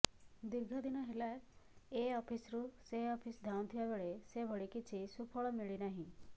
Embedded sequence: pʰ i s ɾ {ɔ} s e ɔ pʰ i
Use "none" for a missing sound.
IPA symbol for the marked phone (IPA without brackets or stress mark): u